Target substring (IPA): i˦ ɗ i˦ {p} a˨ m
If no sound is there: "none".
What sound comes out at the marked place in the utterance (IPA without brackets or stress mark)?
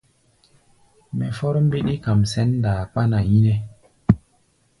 k